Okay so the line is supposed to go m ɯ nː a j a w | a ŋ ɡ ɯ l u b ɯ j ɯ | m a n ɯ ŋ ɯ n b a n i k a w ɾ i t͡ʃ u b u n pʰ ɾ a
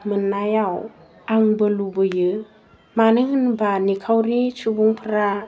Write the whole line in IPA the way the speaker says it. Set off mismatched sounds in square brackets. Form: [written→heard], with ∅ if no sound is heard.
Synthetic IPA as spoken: m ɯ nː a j a w | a ŋ [ɡ→b] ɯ l u b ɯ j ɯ | m a n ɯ ŋ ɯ n b a n i [k→kʰ] a w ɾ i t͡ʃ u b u [n→ŋ] pʰ ɾ a